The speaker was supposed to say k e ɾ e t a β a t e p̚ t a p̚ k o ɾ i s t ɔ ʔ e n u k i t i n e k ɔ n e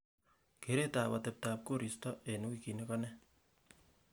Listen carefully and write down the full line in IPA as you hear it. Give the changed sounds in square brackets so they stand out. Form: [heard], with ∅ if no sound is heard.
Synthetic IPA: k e ɾ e t a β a t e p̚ t a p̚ k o ɾ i s t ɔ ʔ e n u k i [k] i n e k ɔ n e